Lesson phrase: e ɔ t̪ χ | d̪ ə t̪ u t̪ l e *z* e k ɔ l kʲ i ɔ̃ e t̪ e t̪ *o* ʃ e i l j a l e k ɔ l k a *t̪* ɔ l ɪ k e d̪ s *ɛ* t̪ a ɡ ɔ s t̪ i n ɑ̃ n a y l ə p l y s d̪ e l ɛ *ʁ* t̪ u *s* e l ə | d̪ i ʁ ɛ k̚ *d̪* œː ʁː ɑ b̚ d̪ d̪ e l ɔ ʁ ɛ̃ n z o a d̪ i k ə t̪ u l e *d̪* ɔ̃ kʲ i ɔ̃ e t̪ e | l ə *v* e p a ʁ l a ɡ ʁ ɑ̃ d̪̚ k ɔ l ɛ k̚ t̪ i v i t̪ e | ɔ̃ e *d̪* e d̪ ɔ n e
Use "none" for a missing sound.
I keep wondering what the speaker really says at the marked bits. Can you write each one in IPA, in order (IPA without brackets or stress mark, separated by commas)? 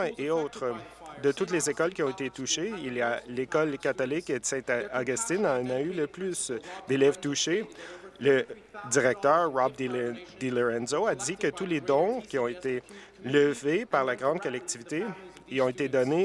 z, u, t̪, ɛ̃, v, ʃ, t̪, d̪, v, t̪